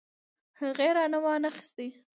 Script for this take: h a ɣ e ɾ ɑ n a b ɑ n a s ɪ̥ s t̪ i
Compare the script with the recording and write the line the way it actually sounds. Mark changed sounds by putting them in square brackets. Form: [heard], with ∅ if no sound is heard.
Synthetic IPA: h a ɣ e ɾ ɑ n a [w] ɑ n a [x] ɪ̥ s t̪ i